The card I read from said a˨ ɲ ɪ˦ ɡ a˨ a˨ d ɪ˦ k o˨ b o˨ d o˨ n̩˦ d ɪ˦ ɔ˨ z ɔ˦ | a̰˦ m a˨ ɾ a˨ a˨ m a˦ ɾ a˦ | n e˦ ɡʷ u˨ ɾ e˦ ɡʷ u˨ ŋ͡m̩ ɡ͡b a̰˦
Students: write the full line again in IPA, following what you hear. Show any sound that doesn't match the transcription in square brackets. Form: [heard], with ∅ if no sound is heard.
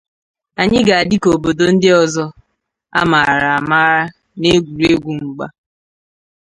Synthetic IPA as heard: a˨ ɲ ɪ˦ ɡ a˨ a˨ d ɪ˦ k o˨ b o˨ d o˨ n̩˦ d ɪ˦ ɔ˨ z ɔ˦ | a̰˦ m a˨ ɾ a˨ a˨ m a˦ ɾ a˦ | n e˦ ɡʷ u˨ ɾ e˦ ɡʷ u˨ ŋ͡m̩ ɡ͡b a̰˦

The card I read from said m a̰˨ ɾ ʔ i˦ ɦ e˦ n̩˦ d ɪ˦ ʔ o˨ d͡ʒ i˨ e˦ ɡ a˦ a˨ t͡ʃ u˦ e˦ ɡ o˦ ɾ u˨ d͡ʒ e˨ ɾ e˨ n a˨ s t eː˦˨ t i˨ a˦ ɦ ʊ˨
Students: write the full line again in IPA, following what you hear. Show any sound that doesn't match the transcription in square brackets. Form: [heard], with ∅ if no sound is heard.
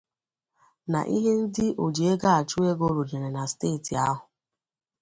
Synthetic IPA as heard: [n] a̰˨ [∅] ʔ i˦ ɦ e˦ n̩˦ d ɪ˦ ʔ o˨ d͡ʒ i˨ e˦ ɡ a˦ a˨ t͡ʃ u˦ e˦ ɡ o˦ ɾ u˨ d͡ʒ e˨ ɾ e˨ n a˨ s t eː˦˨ t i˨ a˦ ɦ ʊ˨

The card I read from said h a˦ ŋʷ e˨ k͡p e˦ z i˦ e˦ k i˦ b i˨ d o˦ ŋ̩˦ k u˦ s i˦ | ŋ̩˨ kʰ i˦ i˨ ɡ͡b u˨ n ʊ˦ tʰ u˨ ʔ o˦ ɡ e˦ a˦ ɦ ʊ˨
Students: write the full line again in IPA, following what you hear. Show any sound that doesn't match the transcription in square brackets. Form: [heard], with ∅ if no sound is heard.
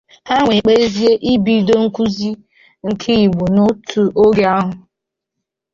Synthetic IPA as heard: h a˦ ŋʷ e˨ k͡p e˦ z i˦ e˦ [ʔ] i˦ b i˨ d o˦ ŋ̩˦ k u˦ [z] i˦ | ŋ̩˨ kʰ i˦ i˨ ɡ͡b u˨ n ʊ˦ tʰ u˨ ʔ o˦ ɡ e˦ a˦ ɦ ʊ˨

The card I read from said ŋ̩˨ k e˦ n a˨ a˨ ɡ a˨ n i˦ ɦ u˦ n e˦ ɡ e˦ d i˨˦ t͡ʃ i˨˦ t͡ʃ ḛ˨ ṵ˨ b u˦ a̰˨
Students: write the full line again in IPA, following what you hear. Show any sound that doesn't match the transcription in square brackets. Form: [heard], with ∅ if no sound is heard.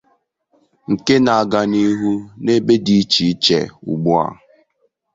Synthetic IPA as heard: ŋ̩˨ k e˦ n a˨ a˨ ɡ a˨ n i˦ ɦ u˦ n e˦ [b] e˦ d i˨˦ t͡ʃ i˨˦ t͡ʃ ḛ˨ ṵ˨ [ɡ͡b] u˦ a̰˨

